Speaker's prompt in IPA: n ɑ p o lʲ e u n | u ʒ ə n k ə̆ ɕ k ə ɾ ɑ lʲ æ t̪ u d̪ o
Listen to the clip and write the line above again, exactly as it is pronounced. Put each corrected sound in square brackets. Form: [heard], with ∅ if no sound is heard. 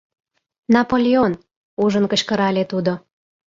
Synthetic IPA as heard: n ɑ p o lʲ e [o] n | u ʒ ə n k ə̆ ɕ k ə ɾ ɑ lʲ [e] t̪ u d̪ o